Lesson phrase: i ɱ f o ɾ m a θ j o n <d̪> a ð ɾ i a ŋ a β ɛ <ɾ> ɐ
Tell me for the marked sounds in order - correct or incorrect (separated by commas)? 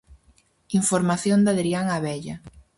correct, incorrect